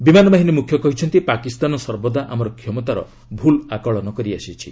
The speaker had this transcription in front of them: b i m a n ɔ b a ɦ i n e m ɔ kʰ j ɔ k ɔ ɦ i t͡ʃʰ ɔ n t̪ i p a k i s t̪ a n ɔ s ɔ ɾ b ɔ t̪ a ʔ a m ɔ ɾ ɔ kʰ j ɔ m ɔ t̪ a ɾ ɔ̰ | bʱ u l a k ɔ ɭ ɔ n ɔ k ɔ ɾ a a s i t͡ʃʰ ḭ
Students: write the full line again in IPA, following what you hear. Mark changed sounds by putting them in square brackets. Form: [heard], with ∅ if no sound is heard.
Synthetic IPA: b i m a n ɔ b a ɦ i n e m [u] kʰ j ɔ k ɔ ɦ i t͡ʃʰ ɔ n t̪ i p a k i s t̪ a n ɔ s ɔ ɾ b ɔ [d̪] a ʔ a m ɔ ɾ ɔ kʰ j ɔ m ɔ t̪ a ɾ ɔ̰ | bʱ u l a k ɔ ɭ ɔ n ɔ k ɔ ɾ [i] a s i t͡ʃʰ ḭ